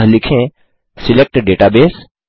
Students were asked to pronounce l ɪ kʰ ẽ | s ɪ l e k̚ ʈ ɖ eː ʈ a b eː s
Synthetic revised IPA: l ɪ kʰ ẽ | s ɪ l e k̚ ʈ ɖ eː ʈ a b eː s